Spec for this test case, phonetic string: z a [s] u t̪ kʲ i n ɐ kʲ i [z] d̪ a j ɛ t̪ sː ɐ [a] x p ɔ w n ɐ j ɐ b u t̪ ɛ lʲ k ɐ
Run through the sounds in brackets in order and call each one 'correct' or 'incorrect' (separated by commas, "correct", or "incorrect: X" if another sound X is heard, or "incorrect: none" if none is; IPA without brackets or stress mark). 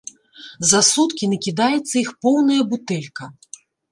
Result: correct, incorrect: none, incorrect: i